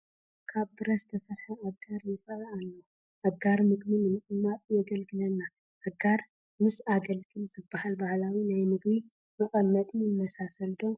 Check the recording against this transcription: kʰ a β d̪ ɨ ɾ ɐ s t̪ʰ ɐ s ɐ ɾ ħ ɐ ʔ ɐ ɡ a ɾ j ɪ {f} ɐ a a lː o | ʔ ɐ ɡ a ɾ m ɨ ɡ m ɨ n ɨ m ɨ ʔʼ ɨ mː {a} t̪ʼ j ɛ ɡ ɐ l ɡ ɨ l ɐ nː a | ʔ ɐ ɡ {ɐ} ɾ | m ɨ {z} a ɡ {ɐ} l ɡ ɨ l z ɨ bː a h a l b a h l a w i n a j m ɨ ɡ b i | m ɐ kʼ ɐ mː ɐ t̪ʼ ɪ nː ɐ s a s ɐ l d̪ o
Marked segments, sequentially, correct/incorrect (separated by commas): correct, correct, incorrect, incorrect, correct